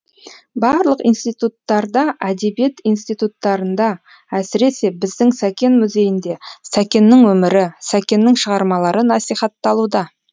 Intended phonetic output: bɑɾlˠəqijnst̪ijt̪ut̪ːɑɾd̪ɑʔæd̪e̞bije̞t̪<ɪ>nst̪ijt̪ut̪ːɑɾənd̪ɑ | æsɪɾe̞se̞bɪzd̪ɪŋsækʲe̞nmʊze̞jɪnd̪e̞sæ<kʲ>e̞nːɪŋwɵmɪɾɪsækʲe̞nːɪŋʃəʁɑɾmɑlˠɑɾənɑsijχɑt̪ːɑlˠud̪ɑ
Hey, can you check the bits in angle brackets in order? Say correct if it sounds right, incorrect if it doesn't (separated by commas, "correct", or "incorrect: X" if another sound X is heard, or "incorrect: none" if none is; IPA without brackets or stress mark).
incorrect: i, correct